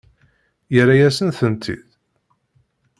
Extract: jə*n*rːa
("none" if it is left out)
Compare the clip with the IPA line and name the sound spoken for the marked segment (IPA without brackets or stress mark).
none